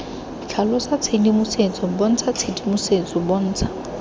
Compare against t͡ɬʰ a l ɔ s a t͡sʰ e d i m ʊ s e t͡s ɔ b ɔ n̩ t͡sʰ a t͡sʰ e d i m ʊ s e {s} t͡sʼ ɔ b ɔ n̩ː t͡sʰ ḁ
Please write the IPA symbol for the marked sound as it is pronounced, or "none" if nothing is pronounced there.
none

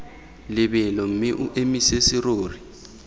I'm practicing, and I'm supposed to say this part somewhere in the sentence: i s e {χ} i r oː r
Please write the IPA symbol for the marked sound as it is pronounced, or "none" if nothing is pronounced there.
s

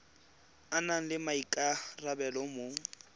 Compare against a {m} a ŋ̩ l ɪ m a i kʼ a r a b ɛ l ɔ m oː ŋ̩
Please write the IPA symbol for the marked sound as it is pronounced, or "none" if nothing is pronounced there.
n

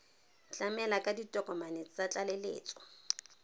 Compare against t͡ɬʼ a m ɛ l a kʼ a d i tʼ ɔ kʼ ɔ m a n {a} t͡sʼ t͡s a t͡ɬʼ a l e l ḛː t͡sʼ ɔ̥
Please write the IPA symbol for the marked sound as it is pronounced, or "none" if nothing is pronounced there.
e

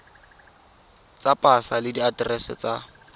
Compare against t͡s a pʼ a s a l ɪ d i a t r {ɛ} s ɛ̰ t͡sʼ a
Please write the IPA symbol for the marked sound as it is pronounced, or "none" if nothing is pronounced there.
ɛ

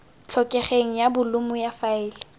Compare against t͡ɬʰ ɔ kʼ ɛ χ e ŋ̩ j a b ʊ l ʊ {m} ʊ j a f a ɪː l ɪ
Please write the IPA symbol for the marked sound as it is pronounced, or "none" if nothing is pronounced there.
m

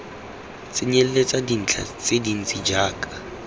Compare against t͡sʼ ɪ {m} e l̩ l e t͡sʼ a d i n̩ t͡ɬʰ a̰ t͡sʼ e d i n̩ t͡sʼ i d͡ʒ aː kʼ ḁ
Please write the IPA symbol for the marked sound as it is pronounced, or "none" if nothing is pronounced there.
ɲ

